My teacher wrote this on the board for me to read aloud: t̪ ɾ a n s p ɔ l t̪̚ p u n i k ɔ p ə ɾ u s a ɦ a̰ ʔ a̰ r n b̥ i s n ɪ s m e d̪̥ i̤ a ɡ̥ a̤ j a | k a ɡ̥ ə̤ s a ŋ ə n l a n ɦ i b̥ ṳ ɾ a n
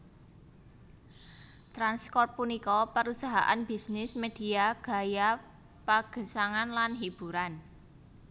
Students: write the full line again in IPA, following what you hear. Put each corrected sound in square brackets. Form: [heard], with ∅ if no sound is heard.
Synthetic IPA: t̪ ɾ a n s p ɔ [r] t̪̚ p u n i k ɔ p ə ɾ u s a ɦ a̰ ʔ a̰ [∅] n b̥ i s n ɪ s m e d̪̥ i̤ a ɡ̥ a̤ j a | [p] a ɡ̥ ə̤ s a ŋ [a] n l a n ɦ i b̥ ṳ ɾ a n